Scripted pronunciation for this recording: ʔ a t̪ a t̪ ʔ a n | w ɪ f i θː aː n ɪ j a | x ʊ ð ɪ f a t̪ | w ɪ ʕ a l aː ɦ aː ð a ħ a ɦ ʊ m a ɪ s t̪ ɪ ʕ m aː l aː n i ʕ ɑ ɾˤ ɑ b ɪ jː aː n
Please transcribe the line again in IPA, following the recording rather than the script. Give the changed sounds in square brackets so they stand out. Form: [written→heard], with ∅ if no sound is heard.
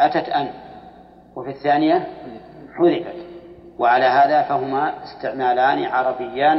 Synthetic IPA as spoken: ʔ a t̪ a t̪ ʔ a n | w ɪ f i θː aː n ɪ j a | [x→ħ] ʊ ð ɪ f a t̪ | w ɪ ʕ a l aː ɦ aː ð a [ħ→f] a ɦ ʊ m a ɪ s t̪ ɪ ʕ m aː l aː n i ʕ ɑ ɾˤ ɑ b ɪ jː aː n